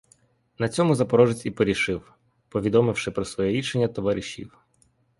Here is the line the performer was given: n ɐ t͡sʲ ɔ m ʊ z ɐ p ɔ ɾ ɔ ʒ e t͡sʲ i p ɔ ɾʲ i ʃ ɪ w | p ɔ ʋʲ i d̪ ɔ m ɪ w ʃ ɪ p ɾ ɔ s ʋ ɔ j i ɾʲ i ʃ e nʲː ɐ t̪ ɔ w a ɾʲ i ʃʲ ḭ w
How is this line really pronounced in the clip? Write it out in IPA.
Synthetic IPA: n ɐ t͡sʲ ɔ m ʊ z ɐ p ɔ ɾ ɔ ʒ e t͡sʲ i p ɔ ɾʲ i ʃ ɪ w | p ɔ ʋʲ i d̪ ɔ m ɪ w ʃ ɪ p ɾ ɔ s ʋ ɔ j ɛ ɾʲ i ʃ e nʲː ɐ t̪ ɔ ʋ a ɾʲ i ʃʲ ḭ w

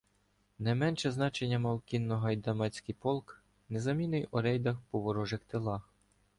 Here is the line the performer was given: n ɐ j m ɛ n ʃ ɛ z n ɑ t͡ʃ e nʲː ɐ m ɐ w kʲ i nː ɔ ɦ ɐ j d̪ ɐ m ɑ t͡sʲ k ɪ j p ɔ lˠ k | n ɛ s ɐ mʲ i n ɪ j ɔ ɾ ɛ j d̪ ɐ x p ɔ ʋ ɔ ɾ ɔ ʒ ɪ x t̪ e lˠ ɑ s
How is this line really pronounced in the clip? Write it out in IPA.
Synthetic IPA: n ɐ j m ɛ n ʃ ɛ z n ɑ t͡ʃ e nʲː ɐ m ɐ w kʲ i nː ɔ ɦ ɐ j d̪ ɐ m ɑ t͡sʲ k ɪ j p ɔ lˠ k | n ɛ z ɐ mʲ i n ɪ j ɔ ɾ ɛ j d̪ ɐ x p ɔ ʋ ɔ ɾ ɔ ʒ ɪ x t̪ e lˠ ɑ x

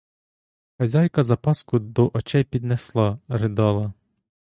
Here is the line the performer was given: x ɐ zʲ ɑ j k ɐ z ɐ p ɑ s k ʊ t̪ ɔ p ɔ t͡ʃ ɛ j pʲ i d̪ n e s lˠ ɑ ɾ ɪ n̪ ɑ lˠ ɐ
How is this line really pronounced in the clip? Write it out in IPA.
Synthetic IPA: x ɐ zʲ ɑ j k ɐ z ɐ p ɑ s k ʊ d̪ ɔ ʔ ɔ t͡ʃ ɛ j pʲ i d̪ n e s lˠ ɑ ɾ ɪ d̪ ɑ lˠ ɐ

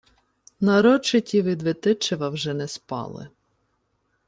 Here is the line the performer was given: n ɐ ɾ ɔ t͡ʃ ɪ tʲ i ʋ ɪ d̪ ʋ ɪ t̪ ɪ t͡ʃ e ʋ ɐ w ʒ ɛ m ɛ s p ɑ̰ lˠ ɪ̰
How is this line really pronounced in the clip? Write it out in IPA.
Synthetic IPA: n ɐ ɾ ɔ t͡ʃ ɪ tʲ i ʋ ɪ d̪ ʋ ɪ t̪ ɪ t͡ʃ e ʋ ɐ w ʒ ɛ n ɛ s p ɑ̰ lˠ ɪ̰

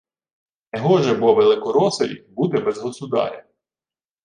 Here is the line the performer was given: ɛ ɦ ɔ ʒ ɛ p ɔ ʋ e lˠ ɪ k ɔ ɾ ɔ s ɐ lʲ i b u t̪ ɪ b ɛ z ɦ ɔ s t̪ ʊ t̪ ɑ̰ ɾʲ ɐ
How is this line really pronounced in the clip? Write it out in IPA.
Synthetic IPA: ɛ ɦ ɔ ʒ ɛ b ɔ ʋ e lˠ ɪ k ɔ ɾ ɔ s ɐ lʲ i b u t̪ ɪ b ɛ z ɦ ɔ s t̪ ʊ d̪ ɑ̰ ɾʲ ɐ

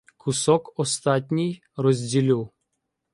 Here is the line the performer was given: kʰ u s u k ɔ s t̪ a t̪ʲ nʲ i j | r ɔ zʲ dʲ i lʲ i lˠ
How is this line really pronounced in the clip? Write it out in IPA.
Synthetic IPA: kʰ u s ɔ k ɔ s t̪ a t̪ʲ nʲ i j | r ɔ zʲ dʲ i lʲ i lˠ

